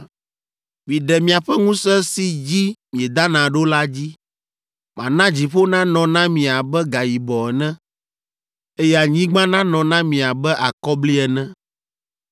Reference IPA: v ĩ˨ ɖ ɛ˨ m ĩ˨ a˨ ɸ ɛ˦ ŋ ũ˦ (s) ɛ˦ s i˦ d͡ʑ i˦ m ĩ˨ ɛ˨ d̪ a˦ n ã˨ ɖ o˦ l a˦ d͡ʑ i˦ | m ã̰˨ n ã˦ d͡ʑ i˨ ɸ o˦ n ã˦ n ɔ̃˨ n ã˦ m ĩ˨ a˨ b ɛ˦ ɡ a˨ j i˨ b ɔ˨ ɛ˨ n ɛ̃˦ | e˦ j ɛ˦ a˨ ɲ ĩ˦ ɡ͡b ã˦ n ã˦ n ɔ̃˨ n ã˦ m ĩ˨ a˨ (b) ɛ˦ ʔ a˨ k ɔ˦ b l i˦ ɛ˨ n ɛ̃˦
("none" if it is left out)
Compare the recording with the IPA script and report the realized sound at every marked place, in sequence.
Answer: s, b

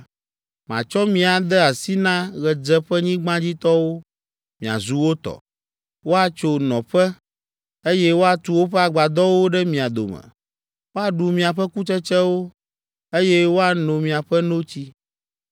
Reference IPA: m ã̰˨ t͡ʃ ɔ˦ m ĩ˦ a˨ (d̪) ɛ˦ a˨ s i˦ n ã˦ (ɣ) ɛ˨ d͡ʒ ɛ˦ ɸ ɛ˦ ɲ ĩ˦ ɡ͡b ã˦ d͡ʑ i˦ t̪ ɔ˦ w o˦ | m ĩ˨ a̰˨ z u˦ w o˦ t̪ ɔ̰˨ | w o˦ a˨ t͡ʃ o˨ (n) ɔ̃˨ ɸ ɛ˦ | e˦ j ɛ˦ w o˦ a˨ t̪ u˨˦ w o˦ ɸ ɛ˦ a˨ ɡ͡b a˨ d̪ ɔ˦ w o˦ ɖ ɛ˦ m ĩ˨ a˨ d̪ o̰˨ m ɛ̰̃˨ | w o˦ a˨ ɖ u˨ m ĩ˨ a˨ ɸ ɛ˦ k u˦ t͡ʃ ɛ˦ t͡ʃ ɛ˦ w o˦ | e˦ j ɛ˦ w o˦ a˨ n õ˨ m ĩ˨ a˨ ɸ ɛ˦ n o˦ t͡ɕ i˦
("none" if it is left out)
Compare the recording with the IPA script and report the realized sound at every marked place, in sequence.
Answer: d̪, ɣ, n

